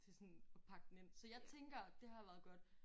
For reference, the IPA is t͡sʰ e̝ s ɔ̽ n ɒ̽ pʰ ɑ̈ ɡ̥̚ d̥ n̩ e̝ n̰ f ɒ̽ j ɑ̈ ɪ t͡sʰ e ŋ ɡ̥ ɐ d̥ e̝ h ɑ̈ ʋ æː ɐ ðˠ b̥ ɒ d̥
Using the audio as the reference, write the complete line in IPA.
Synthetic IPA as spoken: t͡sʰ e̝ s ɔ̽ n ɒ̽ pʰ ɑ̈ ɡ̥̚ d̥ n̩ e̝ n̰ s ɒ̽ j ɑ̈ ɪ t͡sʰ e ŋ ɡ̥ ɐ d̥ e̝ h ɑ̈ ʋ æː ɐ ðˠ ɡ̥ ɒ d̥